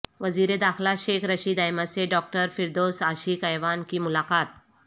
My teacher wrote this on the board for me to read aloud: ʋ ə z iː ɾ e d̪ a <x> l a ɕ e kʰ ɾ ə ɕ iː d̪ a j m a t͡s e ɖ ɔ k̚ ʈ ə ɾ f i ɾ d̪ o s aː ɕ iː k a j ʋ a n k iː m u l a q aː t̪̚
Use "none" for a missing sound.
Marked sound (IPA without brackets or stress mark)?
x